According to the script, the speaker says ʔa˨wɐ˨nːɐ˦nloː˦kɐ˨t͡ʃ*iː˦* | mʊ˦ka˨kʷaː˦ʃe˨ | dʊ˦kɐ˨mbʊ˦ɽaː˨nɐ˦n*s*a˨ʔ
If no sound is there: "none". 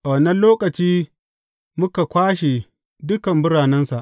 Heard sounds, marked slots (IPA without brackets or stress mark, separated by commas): iː˦, s